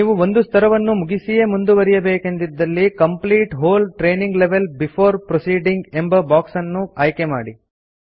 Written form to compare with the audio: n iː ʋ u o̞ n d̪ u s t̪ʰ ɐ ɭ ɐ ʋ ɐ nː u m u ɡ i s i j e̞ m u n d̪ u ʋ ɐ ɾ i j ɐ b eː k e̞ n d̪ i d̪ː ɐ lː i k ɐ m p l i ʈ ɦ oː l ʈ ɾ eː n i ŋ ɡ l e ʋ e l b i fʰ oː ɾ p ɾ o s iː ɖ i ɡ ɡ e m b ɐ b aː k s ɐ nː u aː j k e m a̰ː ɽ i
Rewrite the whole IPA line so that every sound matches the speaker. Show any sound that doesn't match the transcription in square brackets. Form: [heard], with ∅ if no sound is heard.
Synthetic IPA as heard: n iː ʋ u o̞ n d̪ u s t̪ʰ ɐ [ɾ] ɐ ʋ ɐ nː u m u ɡ i s i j e̞ m u n d̪ u ʋ ɐ ɾ i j ɐ b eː k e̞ n d̪ i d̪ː ɐ lː i k ɐ m p l [iː] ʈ ɦ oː l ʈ ɾ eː n i ŋ ɡ l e ʋ e l b i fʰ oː ɾ p ɾ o s iː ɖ i [ŋ] ɡ e m b ɐ b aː k s ɐ nː u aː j k e m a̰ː ɽ i